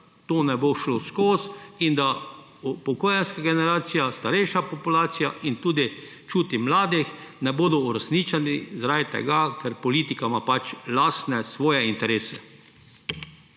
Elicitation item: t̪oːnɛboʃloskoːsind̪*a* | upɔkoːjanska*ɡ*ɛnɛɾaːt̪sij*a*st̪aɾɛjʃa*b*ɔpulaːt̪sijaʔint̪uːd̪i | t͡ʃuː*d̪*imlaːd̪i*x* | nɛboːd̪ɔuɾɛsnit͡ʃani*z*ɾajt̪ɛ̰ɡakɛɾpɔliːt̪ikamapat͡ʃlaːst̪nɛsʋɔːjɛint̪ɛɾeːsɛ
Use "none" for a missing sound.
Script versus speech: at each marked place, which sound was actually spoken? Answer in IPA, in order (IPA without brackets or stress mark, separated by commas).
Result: a, ɡ, a, p, t̪, x, z